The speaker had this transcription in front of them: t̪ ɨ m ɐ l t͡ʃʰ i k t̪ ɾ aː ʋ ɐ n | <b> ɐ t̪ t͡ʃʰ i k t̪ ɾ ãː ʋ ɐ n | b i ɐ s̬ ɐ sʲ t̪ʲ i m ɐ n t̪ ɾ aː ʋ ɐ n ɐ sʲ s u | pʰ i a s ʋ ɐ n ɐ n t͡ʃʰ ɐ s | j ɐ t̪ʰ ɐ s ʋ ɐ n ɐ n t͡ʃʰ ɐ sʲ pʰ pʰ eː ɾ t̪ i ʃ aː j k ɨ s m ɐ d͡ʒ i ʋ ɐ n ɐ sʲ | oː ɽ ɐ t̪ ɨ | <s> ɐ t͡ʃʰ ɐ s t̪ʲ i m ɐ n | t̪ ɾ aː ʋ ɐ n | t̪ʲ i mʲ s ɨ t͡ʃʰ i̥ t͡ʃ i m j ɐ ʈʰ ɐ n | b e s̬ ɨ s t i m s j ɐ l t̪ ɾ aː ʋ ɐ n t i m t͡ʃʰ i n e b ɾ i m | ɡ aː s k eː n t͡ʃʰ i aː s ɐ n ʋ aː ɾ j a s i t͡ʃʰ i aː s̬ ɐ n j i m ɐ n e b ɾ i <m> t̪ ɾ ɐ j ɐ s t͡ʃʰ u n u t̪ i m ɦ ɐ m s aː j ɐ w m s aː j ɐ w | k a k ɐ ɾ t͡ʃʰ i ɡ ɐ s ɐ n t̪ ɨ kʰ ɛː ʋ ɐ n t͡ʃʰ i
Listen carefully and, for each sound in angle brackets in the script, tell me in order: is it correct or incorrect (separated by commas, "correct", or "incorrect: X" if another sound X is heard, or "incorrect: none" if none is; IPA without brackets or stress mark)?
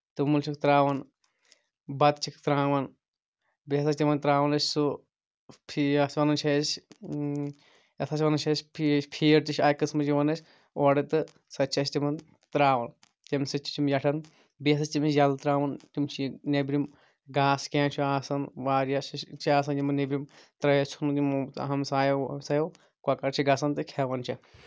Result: correct, correct, correct